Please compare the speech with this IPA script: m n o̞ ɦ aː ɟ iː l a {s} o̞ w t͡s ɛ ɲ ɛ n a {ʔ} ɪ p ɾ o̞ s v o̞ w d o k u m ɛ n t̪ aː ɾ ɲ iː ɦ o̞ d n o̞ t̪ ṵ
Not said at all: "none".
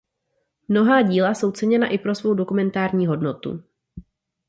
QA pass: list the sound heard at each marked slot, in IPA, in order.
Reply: s, ʔ

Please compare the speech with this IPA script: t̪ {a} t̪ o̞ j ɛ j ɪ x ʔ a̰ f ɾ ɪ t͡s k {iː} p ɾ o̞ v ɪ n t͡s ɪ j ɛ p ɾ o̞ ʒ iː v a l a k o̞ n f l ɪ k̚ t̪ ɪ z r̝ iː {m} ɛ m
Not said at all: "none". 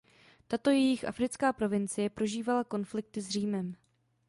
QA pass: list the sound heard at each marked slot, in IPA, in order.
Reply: a, aː, m

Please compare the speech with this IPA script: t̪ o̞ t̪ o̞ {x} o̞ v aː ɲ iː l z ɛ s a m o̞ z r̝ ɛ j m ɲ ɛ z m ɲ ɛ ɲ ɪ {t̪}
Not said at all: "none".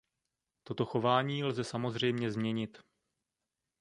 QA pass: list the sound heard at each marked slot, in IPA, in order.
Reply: x, t̪

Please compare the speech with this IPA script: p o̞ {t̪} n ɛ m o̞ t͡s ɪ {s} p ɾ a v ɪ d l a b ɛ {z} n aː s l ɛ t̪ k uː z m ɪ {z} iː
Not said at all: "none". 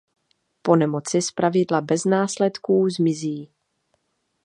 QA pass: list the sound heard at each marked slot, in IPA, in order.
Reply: none, s, z, z

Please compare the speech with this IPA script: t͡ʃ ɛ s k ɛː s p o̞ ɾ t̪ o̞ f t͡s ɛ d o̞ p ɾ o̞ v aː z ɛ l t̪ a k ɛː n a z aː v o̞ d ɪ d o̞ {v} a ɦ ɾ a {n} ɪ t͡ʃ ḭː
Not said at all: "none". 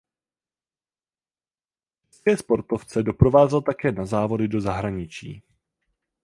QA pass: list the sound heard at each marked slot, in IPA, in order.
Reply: z, ɲ

